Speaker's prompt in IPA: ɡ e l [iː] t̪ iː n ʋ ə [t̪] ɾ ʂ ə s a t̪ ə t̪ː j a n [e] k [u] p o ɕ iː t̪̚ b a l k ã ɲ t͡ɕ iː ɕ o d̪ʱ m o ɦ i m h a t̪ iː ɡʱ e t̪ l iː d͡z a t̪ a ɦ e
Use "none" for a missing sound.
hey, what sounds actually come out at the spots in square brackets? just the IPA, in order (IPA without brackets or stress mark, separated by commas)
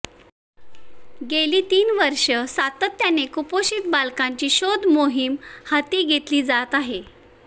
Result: iː, none, e, u